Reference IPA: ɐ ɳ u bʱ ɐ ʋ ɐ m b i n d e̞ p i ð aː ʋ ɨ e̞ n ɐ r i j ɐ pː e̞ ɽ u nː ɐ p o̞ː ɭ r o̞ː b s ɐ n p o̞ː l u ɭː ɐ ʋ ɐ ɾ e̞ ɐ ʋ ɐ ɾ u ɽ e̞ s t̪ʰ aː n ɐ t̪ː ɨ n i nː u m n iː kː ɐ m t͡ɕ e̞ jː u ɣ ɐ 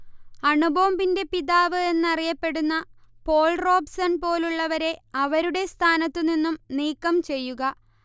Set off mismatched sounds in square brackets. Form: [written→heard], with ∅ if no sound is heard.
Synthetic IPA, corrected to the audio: ɐ ɳ u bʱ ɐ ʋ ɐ m b i n d e̞ p i ð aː ʋ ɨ e̞ [n→nː] ɐ r i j ɐ pː e̞ ɽ u nː ɐ p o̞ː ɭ r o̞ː b s ɐ n p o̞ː l u ɭː ɐ ʋ ɐ ɾ e̞ ɐ ʋ ɐ ɾ u ɽ e̞ s t̪ʰ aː n ɐ t̪ː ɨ n i nː u m n iː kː ɐ m t͡ɕ e̞ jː u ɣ ɐ

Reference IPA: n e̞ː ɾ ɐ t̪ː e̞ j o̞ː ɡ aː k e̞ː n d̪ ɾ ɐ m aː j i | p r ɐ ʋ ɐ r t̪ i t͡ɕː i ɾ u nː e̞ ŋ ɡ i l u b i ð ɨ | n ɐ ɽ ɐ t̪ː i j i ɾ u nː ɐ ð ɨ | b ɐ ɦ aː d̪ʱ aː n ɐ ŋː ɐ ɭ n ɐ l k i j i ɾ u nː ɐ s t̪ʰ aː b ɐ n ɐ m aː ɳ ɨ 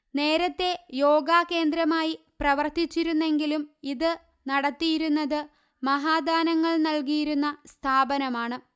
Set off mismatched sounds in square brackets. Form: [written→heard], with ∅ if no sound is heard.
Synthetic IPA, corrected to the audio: n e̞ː ɾ ɐ t̪ː e̞ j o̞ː ɡ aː k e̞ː n d̪ ɾ ɐ m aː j i | p r ɐ ʋ ɐ r t̪ i t͡ɕː i ɾ u nː e̞ ŋ ɡ i l u [b→m] i ð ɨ | n ɐ ɽ ɐ t̪ː i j i ɾ u nː ɐ ð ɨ | [b→m] ɐ ɦ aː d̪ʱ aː n ɐ ŋː ɐ ɭ n ɐ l k i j i ɾ u nː ɐ s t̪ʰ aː b ɐ n ɐ m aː ɳ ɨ

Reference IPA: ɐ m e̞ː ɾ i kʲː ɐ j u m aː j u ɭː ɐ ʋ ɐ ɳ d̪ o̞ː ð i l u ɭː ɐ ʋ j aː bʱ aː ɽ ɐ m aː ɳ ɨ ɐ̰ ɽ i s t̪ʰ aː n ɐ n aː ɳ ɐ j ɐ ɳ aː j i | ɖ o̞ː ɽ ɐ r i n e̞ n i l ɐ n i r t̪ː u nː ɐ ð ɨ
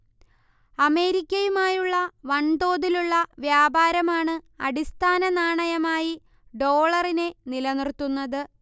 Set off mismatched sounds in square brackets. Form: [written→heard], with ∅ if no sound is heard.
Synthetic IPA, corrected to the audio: ɐ m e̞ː ɾ i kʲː ɐ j u m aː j u ɭː ɐ ʋ ɐ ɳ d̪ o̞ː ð i l u ɭː ɐ ʋ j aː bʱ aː [ɽ→ɾ] ɐ m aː ɳ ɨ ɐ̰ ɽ i s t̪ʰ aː n ɐ n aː ɳ ɐ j ɐ [ɳ→m] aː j i | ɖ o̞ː [ɽ→ɭ] ɐ r i n e̞ n i l ɐ n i r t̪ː u nː ɐ ð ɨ

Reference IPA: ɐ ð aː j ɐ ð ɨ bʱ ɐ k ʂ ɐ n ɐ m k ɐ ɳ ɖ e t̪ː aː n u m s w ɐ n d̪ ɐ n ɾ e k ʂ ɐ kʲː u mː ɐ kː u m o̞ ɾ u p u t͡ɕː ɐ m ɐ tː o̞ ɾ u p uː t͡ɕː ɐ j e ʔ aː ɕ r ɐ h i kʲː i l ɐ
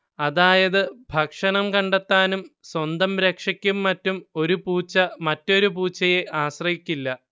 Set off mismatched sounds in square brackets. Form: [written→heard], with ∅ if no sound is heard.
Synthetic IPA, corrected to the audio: ɐ ð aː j ɐ ð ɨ bʱ ɐ k ʂ ɐ n ɐ m k ɐ ɳ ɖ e t̪ː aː n u m s w ɐ n d̪ ɐ [n→m] ɾ e k ʂ ɐ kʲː u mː ɐ [kː→tː] u m o̞ ɾ u p [u→uː] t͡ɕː ɐ m ɐ tː o̞ ɾ u p uː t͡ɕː ɐ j e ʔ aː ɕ r ɐ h i kʲː i [l→lː] ɐ

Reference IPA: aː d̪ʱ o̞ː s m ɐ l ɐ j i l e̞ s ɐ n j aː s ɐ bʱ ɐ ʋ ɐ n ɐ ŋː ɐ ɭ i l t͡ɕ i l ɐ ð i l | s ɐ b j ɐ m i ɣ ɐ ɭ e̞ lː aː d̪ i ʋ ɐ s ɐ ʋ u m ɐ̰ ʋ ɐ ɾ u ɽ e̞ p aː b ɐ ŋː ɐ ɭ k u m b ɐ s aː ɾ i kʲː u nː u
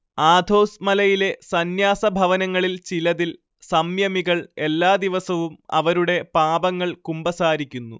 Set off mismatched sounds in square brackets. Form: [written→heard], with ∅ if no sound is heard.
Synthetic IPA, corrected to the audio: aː d̪ʱ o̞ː s m ɐ l ɐ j i l e̞ s ɐ n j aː s ɐ bʱ ɐ ʋ ɐ n ɐ ŋː ɐ ɭ i l t͡ɕ i l ɐ ð i l | s ɐ [b→m] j ɐ m i ɣ ɐ ɭ e̞ lː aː d̪ i ʋ ɐ s ɐ ʋ u m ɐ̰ ʋ ɐ ɾ u ɽ e̞ p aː b ɐ ŋː ɐ ɭ k u m b ɐ s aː ɾ i kʲː u nː u

